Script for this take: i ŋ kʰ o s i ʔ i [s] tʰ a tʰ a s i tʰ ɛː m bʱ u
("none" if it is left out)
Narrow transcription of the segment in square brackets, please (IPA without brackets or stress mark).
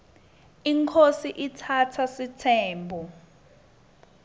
none